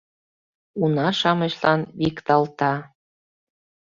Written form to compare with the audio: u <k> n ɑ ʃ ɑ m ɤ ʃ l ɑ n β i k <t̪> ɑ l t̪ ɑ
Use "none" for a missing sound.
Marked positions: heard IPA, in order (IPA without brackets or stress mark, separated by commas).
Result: none, t̪